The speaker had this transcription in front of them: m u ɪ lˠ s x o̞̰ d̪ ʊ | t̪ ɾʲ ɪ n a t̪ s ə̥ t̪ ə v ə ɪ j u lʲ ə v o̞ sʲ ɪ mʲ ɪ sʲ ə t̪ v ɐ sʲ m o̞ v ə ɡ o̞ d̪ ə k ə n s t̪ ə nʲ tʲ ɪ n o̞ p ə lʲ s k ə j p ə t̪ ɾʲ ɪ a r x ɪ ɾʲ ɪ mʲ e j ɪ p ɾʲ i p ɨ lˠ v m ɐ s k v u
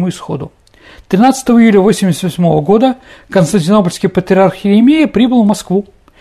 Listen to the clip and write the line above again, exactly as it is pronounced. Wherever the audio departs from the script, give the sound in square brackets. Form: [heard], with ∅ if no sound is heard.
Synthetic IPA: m u ɪ [∅] s x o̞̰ d̪ ʊ | t̪ ɾʲ ɪ n a t̪ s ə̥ t̪ ə v ə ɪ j u lʲ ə v o̞ sʲ ɪ mʲ ɪ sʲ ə t̪ v ɐ sʲ m o̞ v ə ɡ o̞ d̪ ə k ə n s t̪ ə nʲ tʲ ɪ n o̞ p ə lʲ s k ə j p ə t̪ ɾʲ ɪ a r x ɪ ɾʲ ɪ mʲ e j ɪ p ɾʲ i [b] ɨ lˠ v m ɐ s k v u